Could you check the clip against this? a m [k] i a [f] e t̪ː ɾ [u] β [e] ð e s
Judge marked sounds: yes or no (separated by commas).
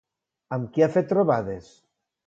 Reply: yes, yes, no, no